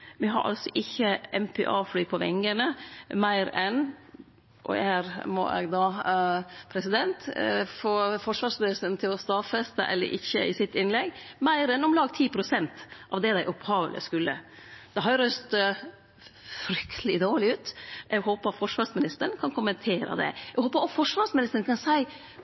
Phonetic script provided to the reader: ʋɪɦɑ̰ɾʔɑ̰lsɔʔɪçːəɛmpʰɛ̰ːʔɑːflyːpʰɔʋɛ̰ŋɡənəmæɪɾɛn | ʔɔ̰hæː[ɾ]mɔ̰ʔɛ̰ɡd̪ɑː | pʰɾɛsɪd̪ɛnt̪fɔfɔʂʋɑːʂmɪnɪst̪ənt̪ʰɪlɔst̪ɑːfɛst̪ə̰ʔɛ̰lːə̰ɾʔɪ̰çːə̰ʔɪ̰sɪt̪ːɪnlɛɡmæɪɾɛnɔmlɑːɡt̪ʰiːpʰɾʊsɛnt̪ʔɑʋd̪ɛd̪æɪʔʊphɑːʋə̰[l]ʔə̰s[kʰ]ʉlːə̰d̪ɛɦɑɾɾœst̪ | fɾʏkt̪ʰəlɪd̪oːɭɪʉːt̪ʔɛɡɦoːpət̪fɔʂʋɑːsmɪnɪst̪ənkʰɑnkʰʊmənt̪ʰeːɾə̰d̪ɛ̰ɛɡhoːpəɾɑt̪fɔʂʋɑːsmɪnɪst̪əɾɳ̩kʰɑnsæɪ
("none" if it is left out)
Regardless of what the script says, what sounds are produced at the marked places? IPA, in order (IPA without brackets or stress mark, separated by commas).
ɾ, l, k